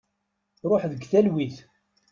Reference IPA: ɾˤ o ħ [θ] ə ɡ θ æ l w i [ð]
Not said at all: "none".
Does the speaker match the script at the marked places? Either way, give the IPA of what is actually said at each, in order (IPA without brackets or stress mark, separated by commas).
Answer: ð, θ